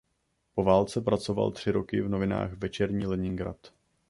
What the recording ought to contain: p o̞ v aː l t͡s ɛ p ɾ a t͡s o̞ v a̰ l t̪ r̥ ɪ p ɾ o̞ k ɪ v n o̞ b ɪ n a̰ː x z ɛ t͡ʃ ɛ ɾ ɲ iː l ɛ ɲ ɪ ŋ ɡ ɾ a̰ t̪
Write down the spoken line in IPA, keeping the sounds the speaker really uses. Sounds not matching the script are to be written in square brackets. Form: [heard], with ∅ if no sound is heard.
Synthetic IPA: p o̞ v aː l t͡s ɛ p ɾ a t͡s o̞ v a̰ l t̪ r̥ ɪ [∅] ɾ o̞ k ɪ v n o̞ [v] ɪ n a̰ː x [v] ɛ t͡ʃ ɛ ɾ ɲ iː l ɛ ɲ ɪ ŋ ɡ ɾ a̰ t̪